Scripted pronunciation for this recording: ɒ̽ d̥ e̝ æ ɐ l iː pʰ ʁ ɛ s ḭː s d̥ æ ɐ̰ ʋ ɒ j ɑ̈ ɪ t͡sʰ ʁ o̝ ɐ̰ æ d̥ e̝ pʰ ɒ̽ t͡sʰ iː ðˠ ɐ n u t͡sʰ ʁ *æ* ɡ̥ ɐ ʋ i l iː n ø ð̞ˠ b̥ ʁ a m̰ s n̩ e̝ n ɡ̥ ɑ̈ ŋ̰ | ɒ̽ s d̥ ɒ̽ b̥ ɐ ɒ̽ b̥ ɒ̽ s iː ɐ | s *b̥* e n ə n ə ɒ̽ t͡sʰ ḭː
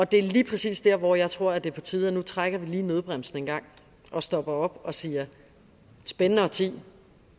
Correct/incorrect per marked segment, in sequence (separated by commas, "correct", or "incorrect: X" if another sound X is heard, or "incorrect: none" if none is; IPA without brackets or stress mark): incorrect: a, correct